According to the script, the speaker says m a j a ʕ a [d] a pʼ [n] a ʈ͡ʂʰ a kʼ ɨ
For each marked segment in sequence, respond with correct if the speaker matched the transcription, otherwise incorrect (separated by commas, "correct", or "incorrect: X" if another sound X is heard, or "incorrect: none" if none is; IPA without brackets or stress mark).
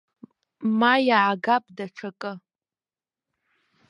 incorrect: ɡ, incorrect: d